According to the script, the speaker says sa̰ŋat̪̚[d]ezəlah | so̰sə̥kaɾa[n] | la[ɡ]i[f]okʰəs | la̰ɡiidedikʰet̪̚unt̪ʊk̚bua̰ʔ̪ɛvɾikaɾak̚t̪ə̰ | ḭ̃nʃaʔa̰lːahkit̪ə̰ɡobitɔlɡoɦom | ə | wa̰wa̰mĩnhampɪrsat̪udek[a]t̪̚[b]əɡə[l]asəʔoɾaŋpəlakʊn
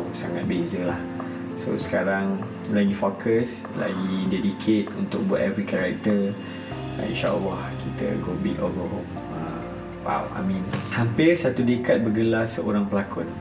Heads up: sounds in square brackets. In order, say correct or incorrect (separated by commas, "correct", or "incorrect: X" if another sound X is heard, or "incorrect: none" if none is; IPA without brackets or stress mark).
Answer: incorrect: b, incorrect: ŋ, correct, correct, correct, correct, correct